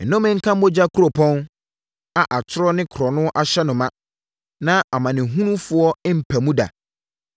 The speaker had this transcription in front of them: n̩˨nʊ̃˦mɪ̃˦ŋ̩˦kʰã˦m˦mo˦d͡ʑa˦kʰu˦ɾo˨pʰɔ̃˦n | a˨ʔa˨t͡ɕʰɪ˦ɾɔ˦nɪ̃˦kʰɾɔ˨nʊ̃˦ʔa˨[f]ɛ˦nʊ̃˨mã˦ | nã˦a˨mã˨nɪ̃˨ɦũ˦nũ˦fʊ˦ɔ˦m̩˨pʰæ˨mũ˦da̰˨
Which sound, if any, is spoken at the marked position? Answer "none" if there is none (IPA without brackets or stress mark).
ɕ